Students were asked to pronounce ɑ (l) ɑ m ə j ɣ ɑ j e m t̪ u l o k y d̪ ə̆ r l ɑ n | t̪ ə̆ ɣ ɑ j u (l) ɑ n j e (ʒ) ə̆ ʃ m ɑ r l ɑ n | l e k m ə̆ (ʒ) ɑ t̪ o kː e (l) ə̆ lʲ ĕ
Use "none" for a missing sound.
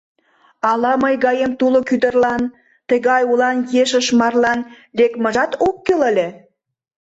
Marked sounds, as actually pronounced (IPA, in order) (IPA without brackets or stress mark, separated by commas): l, l, ʃ, ʒ, l